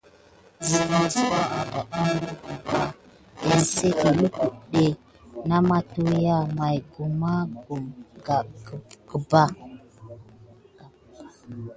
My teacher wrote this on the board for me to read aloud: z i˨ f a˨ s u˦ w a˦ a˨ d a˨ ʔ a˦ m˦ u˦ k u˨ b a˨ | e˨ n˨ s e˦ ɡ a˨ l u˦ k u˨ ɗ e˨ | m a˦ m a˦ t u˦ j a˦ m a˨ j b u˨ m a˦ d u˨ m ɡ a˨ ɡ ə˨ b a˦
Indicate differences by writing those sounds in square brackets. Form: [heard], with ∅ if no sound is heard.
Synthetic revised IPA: z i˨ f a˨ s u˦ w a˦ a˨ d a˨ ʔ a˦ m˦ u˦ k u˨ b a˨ | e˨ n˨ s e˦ [k] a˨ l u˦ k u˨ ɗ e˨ | [n] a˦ m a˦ t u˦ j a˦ m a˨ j [ɡ] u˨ m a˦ [ɡ] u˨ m ɡ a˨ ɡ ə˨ b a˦

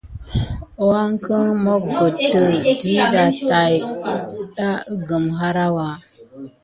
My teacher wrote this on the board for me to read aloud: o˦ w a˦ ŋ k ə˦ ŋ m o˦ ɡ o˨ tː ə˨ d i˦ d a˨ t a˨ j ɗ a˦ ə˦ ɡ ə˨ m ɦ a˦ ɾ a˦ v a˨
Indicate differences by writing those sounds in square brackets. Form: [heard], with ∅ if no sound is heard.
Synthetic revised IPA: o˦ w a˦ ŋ k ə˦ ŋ m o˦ ɡ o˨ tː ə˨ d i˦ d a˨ t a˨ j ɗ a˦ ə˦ ɡ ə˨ m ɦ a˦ ɾ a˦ [w] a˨

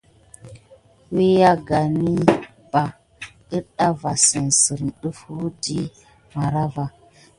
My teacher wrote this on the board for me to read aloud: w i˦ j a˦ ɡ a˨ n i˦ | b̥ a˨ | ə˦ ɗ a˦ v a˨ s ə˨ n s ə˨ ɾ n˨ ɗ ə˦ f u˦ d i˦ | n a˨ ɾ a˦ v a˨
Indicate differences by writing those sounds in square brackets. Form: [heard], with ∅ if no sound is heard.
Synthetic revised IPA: w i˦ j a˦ ɡ a˨ n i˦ | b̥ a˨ | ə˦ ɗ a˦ v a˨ s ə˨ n s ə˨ ɾ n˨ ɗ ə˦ f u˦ d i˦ | [m] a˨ ɾ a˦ v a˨

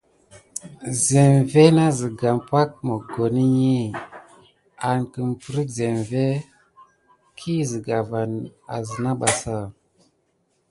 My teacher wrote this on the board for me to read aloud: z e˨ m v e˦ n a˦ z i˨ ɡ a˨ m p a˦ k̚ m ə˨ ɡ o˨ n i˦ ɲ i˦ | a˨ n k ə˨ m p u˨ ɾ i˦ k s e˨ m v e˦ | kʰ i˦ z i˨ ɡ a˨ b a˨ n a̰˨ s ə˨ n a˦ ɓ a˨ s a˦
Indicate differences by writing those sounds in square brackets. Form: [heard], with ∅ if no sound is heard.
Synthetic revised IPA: z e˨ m v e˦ n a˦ z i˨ ɡ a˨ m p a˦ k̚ m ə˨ ɡ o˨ n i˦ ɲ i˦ | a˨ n k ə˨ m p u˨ ɾ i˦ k [z] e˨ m v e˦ | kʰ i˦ z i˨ ɡ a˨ [v] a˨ n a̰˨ [z] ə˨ n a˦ ɓ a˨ s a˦

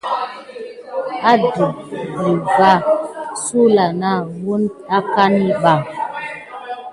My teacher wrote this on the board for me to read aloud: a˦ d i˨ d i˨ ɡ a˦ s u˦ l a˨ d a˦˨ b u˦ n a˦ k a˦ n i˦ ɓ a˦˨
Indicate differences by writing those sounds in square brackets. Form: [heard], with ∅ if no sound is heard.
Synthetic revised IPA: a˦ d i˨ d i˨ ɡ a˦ s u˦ l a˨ [n] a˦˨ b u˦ n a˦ k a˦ n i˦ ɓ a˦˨

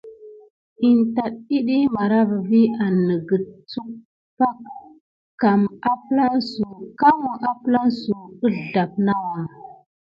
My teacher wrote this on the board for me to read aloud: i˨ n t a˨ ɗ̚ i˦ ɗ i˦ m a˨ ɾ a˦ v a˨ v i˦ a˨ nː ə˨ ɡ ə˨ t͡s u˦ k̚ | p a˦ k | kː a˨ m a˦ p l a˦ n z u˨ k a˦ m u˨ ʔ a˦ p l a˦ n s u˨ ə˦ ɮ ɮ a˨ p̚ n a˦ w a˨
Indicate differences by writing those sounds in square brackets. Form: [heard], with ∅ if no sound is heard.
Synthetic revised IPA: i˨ n t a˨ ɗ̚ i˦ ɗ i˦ m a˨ ɾ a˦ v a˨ v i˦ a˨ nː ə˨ ɡ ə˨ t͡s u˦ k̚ | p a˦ k | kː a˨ m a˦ p l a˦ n [s] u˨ k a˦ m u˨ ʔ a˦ p l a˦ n s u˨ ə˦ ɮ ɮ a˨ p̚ n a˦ w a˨

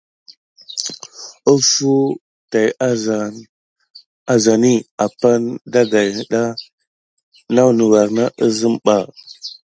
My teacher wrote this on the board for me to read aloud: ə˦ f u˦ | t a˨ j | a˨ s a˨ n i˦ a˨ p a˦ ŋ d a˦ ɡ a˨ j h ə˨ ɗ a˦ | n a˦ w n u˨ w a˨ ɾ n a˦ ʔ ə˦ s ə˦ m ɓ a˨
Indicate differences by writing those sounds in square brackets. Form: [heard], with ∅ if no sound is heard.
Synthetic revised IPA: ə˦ f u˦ | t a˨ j | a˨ [z] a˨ n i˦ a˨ p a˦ [n] d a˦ ɡ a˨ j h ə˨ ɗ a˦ | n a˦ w n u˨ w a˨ ɾ n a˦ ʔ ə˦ [z] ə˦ m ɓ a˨

